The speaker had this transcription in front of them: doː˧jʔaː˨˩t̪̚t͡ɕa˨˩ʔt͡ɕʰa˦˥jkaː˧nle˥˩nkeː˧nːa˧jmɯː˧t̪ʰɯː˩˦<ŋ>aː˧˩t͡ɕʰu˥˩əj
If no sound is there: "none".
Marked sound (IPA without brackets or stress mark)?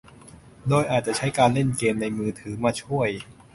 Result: m